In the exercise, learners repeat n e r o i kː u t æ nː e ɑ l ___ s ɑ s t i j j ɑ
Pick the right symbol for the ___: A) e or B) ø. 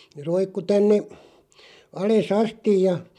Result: A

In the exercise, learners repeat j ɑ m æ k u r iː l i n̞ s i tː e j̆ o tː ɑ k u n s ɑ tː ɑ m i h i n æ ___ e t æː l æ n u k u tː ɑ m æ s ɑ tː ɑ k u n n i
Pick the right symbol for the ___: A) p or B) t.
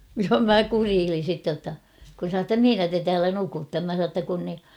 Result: B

